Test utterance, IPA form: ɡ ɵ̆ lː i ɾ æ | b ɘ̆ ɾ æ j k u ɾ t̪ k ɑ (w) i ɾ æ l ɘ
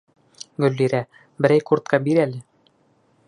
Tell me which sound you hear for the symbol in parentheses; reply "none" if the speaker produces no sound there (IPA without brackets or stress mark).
b